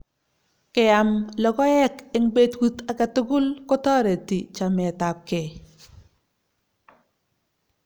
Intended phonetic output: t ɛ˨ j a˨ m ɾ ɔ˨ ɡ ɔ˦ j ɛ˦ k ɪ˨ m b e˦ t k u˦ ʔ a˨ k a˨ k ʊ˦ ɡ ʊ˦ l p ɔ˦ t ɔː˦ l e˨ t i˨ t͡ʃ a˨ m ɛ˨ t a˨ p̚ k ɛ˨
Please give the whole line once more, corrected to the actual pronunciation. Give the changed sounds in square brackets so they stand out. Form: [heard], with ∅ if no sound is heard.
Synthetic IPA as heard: [k] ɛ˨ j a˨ m [l] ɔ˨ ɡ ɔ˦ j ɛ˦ k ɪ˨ [ŋ] b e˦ t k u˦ [t] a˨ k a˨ [t] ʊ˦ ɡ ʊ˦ l [k] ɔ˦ t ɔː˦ [ɾ] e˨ t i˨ t͡ʃ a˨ m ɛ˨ t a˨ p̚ k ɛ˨